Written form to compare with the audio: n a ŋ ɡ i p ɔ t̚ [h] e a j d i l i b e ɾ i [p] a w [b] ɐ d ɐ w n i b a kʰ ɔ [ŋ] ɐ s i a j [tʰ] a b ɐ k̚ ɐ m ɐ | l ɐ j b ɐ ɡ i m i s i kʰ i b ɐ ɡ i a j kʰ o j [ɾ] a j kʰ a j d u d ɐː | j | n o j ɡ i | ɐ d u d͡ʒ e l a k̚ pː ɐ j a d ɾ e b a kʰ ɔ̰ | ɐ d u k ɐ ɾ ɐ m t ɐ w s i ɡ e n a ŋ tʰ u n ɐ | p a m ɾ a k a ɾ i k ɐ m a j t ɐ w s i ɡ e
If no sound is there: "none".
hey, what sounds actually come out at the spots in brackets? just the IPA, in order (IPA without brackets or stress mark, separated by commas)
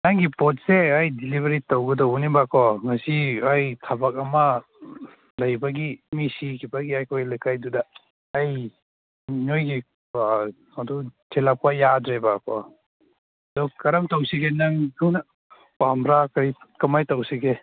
s, t, ɡ, ŋ, tʰ, l